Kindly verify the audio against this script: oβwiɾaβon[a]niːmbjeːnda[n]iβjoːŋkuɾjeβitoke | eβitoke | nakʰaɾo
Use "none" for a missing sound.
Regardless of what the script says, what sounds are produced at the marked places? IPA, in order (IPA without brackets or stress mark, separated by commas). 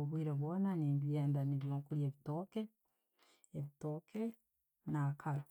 a, n